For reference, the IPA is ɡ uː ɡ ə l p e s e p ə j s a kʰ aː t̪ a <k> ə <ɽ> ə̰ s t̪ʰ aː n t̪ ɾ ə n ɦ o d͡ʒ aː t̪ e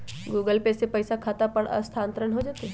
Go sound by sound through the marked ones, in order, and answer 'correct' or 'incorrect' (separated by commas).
incorrect, correct